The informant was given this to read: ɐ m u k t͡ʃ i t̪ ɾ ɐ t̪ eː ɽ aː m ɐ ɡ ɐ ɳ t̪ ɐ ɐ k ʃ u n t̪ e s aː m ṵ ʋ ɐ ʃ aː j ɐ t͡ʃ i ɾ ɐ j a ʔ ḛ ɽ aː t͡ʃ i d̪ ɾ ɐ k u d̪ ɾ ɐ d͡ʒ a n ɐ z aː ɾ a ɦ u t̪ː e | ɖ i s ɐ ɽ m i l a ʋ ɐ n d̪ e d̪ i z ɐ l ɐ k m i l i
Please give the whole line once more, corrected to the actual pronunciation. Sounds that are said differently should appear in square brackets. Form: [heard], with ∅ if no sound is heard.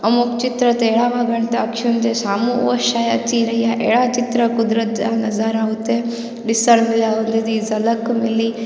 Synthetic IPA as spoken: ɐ m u k t͡ʃ i t̪ ɾ ɐ t̪ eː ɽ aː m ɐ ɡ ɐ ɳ t̪ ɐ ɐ k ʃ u n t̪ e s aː m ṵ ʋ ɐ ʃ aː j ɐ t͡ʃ i ɾ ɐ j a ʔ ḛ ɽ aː t͡ʃ i [t̪] ɾ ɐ k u d̪ ɾ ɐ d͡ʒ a n ɐ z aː ɾ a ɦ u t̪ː e | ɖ i s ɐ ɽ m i l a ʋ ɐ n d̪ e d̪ i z ɐ l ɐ k m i l i